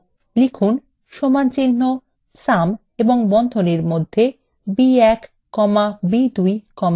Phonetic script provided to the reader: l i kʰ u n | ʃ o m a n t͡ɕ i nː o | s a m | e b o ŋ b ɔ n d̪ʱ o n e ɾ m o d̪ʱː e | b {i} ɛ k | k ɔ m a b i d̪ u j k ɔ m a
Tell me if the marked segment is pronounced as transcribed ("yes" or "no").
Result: yes